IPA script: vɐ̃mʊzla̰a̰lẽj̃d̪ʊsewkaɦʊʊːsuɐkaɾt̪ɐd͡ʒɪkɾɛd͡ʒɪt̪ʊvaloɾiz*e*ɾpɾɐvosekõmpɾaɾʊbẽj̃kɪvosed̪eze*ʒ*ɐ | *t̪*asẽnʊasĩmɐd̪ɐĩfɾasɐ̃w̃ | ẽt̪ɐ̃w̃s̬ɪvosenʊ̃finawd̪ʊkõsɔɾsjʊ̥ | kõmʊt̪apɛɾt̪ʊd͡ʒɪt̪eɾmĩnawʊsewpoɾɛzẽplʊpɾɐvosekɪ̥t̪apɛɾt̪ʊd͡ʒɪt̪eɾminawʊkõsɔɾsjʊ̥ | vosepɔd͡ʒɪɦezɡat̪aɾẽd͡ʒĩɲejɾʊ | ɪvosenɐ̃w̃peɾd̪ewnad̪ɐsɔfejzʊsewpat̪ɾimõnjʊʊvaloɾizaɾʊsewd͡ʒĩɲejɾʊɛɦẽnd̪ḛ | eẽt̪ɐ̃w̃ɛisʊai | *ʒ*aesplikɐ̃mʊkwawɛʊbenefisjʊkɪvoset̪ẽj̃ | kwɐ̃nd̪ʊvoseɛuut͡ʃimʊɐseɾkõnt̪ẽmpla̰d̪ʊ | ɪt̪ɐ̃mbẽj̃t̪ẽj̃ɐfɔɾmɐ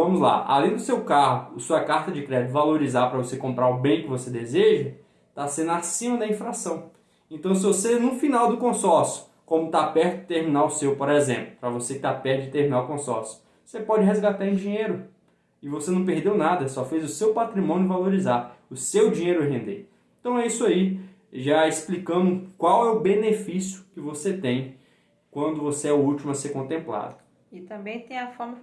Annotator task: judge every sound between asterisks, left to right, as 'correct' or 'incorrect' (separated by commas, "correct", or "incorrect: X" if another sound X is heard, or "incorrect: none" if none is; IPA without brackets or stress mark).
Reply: incorrect: a, correct, correct, correct